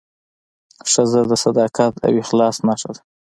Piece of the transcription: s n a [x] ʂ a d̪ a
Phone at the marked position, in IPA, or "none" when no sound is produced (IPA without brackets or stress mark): none